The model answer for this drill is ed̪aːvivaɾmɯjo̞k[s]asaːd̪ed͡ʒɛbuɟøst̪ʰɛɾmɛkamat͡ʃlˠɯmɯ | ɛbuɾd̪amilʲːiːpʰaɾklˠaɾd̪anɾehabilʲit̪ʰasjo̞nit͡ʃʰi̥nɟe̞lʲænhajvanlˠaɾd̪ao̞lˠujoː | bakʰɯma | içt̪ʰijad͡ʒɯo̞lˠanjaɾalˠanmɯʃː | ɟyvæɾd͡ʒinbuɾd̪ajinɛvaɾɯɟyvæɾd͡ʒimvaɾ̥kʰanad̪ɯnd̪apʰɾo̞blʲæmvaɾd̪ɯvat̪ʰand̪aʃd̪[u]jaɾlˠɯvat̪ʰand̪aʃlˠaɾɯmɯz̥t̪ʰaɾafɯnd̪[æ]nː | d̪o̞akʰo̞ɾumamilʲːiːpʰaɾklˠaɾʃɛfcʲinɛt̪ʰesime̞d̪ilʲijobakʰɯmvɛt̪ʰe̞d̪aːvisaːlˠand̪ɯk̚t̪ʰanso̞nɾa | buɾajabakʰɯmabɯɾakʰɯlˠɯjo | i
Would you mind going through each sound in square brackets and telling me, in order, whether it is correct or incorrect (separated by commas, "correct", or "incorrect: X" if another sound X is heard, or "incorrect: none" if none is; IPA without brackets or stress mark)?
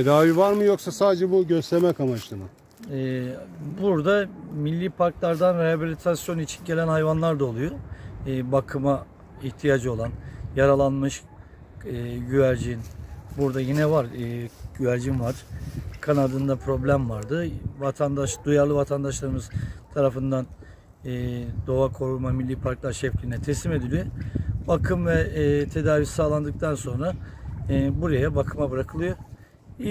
correct, correct, incorrect: a